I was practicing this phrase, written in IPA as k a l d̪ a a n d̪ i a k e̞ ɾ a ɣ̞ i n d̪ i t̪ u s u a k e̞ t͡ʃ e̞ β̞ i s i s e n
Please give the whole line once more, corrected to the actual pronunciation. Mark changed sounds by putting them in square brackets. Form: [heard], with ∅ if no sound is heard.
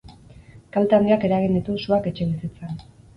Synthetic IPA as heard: k a l [t̪] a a n d̪ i a k e̞ ɾ a ɣ̞ i n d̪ i t̪ u s u a k e̞ t͡ʃ e̞ β̞ i s i [t͡s] e n